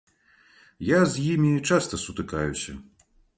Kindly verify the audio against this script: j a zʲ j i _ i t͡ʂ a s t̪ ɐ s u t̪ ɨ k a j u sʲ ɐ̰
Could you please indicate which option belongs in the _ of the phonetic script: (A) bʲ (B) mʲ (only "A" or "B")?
B